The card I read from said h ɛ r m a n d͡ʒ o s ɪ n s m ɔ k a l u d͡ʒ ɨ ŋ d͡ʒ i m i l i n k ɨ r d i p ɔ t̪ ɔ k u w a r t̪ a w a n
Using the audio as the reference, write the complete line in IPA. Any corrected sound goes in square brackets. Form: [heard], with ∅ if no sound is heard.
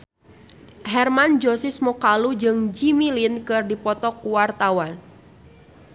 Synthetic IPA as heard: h ɛ r m a n d͡ʒ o s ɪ [∅] s m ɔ k a l u d͡ʒ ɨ ŋ d͡ʒ i m i l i n k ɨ r d i p ɔ t̪ ɔ k u w a r t̪ a w a n